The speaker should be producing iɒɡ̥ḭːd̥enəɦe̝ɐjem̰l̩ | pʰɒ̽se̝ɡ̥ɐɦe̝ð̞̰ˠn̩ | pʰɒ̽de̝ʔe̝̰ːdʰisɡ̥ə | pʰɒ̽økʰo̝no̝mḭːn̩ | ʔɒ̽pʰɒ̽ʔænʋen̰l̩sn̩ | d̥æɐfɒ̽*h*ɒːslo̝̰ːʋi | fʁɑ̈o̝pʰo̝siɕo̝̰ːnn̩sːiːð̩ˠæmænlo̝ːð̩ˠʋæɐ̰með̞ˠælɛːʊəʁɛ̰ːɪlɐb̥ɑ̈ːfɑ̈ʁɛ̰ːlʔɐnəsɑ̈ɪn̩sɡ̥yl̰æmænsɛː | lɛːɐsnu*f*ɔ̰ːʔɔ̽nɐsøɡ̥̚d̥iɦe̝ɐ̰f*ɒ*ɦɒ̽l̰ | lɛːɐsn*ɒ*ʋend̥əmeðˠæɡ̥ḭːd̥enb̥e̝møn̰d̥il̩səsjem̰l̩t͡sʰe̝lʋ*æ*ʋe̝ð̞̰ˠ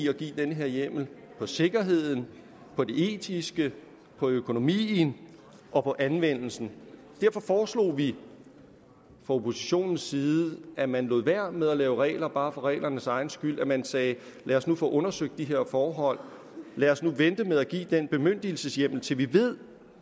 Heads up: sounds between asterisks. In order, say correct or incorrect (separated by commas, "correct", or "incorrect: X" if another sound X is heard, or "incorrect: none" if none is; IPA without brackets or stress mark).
incorrect: f, correct, incorrect: ɒː, incorrect: u, incorrect: i